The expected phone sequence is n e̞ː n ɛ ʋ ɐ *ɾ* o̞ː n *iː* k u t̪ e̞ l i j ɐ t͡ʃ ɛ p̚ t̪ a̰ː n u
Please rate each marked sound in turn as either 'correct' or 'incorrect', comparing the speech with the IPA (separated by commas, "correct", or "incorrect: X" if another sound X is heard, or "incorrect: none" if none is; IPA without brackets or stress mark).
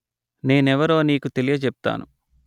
correct, correct